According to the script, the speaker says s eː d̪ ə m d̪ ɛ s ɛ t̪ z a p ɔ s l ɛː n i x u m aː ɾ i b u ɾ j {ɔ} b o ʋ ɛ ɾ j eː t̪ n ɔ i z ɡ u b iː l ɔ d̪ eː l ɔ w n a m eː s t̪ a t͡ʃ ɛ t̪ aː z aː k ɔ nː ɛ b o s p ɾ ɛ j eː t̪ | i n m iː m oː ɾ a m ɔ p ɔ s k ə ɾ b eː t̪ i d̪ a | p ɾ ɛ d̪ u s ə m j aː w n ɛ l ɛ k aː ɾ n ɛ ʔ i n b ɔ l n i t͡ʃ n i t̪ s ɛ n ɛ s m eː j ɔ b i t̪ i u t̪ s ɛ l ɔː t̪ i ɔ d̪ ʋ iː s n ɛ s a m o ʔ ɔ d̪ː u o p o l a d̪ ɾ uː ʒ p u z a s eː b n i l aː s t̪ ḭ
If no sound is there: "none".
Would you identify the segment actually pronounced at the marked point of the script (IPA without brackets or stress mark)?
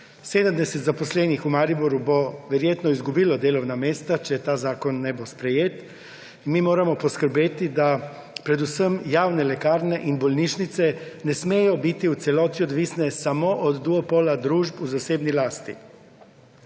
u